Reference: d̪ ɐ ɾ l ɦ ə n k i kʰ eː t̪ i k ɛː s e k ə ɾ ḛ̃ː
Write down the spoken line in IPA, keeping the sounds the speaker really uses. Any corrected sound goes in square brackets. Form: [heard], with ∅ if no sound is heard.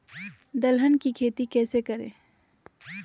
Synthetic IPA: d̪ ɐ [∅] l ɦ ə n k i kʰ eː t̪ i k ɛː s e k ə ɾ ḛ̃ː